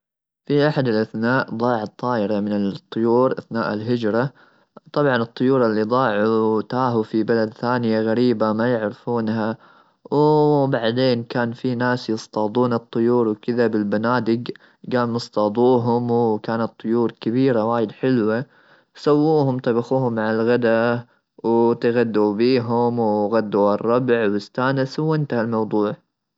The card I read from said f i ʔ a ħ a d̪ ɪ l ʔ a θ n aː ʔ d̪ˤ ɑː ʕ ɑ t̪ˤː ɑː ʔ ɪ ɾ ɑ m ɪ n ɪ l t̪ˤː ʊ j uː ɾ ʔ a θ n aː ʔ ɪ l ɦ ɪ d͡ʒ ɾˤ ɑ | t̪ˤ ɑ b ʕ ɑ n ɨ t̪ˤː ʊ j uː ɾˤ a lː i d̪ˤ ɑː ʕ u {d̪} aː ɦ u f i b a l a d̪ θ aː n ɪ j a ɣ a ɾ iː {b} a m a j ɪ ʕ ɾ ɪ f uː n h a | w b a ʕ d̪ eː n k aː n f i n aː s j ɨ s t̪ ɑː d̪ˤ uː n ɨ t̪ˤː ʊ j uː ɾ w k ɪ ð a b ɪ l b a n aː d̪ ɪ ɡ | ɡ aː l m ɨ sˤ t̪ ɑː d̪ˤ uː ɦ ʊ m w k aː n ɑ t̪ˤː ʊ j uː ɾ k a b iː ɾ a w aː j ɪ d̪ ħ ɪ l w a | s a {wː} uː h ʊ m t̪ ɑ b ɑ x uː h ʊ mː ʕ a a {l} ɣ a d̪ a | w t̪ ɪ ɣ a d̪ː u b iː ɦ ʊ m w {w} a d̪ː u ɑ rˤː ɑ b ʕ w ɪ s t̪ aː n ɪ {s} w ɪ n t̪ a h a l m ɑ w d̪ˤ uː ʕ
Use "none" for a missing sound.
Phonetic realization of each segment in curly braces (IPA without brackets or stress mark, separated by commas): t̪, b, wː, l, ɣ, s